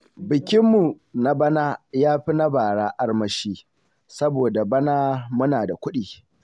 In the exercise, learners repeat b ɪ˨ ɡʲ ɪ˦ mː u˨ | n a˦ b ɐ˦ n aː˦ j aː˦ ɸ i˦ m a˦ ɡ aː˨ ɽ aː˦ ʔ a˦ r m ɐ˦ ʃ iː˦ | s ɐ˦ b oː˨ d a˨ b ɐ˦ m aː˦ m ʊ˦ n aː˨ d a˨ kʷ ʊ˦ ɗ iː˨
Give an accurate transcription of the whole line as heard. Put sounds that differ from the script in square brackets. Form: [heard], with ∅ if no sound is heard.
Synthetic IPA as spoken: b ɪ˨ [kʲ] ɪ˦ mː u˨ | n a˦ b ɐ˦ n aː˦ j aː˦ ɸ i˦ [n] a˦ [b] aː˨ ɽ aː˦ ʔ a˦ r m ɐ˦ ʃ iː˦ | s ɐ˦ b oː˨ d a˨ b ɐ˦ [n] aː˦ m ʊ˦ n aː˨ d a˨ kʷ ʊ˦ ɗ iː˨